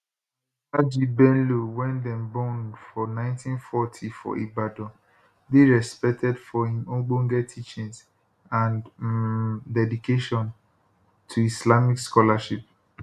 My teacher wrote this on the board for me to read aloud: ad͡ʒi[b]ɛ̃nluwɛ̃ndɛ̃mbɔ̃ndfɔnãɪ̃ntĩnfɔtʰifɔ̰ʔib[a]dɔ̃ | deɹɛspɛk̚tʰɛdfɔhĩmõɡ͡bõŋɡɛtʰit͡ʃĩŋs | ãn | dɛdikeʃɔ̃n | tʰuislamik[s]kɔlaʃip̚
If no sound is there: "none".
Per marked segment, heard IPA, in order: b, a, s

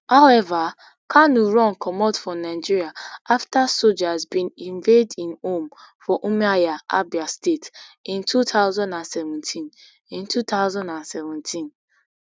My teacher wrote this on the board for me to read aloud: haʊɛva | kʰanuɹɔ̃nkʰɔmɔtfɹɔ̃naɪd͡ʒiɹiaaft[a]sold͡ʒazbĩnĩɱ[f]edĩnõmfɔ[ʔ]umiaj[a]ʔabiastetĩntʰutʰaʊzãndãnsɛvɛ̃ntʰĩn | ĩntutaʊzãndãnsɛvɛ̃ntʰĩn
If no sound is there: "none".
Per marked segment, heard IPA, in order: a, v, ʔ, a

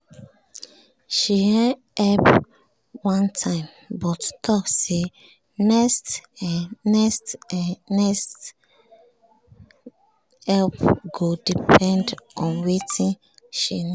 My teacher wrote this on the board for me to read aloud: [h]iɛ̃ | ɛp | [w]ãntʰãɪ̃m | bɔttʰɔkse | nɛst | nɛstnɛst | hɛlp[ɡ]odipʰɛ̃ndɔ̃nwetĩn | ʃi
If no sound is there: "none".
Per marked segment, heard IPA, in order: ʃ, w, ɡ

